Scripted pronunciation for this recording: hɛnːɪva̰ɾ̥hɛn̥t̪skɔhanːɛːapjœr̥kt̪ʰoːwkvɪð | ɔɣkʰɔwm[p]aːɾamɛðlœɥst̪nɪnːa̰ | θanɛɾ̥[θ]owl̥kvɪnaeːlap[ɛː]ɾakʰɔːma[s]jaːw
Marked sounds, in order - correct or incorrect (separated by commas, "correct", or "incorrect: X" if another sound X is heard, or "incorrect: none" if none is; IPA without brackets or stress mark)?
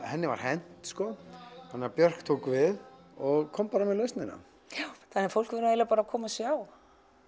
correct, incorrect: f, incorrect: aː, correct